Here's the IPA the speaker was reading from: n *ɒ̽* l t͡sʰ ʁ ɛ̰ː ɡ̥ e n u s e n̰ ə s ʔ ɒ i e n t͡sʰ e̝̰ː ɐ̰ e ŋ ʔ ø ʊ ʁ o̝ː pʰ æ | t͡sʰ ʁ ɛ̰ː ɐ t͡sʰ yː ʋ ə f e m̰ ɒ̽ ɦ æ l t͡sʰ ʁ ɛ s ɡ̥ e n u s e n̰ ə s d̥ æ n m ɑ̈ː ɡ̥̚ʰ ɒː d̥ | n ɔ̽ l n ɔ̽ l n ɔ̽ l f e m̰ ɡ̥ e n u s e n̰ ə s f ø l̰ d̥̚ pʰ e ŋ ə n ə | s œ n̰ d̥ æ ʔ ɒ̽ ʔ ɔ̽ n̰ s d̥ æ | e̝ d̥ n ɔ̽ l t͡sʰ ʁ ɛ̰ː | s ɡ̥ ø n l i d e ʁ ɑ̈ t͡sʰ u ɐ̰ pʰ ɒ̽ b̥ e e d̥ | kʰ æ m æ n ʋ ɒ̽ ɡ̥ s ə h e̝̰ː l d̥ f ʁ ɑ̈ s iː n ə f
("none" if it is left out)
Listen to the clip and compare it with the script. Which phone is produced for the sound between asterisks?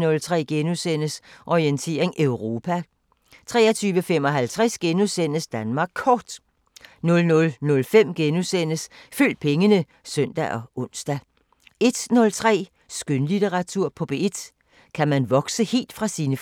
ɔ̽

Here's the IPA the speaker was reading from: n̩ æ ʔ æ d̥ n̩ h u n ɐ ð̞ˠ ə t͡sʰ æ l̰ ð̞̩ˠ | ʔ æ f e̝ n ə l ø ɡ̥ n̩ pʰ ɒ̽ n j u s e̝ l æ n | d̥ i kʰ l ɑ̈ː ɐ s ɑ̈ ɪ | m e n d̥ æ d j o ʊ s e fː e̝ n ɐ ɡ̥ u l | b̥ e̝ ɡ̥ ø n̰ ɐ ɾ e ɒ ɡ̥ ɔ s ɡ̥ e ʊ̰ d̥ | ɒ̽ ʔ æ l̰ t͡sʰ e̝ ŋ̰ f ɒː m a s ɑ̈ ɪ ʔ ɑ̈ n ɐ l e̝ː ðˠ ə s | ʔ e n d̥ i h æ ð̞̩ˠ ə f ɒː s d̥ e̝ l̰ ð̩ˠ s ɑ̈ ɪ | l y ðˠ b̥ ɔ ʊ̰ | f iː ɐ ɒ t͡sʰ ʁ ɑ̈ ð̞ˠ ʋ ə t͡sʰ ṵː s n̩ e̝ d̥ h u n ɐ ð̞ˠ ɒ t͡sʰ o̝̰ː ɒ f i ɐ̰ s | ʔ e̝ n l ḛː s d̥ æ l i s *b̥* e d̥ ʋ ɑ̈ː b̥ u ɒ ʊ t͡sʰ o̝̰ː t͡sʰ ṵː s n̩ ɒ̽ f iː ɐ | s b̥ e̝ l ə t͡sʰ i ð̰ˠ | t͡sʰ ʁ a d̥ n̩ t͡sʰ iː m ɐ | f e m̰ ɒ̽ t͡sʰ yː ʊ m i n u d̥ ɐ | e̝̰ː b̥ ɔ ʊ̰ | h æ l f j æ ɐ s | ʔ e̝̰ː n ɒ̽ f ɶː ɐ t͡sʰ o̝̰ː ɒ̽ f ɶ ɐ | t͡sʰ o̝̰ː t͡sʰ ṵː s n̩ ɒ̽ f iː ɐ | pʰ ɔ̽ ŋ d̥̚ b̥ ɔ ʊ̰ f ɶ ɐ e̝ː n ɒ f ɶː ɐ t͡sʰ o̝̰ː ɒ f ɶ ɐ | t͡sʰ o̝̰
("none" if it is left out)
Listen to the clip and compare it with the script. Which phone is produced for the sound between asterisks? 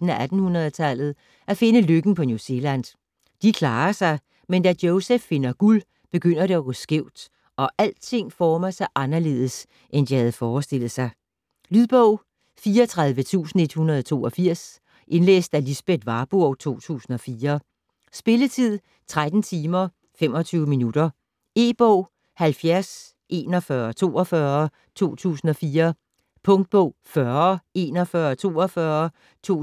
b̥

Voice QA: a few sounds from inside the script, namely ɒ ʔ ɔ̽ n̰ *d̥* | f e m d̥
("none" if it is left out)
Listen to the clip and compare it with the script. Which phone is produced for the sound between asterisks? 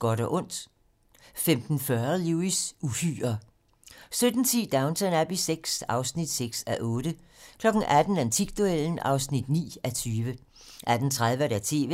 d̥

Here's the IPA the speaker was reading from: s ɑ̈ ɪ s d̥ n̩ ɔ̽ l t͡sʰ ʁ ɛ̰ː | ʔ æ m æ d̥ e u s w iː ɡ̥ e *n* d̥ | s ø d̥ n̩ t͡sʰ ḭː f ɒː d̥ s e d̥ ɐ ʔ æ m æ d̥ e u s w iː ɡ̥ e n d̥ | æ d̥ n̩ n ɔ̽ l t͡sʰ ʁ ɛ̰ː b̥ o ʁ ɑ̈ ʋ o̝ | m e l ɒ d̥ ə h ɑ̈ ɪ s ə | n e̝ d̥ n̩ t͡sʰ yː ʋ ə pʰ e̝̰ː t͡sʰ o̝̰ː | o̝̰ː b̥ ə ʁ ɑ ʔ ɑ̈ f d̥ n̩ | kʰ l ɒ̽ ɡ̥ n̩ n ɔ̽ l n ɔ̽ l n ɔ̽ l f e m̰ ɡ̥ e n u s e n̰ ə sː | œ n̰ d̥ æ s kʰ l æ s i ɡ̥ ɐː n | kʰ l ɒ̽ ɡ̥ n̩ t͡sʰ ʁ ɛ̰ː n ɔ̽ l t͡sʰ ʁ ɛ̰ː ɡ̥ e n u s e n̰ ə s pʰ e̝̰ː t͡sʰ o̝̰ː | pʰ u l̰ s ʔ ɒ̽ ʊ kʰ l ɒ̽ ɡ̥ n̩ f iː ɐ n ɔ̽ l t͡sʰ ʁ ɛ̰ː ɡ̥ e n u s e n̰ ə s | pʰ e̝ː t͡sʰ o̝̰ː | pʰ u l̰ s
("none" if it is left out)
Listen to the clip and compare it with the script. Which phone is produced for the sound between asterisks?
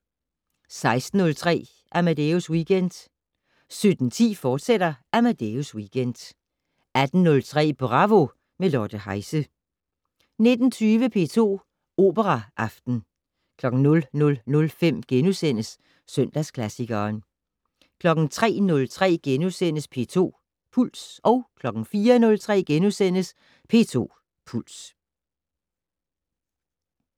n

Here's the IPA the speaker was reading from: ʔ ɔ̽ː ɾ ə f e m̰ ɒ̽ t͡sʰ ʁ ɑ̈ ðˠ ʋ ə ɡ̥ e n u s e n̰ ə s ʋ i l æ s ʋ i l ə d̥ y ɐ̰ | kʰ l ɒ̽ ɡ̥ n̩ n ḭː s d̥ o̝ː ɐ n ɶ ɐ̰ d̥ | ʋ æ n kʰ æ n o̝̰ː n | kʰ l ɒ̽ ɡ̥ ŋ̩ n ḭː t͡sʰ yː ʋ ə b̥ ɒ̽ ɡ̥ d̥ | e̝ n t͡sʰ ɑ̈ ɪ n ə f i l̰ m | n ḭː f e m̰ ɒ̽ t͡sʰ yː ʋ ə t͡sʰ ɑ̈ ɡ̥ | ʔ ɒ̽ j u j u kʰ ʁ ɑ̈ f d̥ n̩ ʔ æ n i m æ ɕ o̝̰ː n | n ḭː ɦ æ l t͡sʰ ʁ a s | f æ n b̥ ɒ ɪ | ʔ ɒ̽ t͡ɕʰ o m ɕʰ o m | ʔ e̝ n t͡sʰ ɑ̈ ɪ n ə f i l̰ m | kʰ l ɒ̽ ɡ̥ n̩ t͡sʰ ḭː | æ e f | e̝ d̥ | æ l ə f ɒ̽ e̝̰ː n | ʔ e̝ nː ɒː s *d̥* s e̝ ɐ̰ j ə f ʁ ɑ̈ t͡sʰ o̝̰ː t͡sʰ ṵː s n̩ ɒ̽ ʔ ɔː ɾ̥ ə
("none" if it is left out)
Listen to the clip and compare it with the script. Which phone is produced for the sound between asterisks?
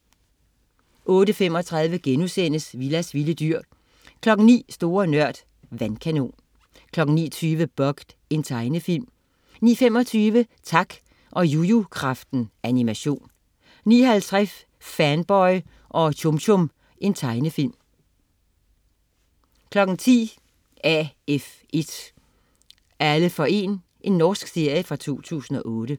ɡ̥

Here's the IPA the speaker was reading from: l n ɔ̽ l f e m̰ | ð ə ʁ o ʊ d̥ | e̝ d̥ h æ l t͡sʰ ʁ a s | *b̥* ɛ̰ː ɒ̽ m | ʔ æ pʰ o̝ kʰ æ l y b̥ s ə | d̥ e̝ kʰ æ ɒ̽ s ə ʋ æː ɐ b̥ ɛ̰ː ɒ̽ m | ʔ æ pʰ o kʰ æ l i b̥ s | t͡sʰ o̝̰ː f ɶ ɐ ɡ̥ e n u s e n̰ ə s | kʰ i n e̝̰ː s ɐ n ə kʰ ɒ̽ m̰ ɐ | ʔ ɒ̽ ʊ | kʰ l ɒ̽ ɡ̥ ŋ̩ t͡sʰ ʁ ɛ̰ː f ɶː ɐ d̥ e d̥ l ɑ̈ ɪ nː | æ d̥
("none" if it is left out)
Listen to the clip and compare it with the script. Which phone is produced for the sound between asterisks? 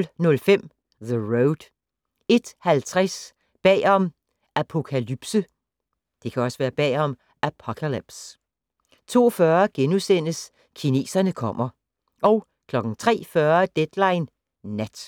b̥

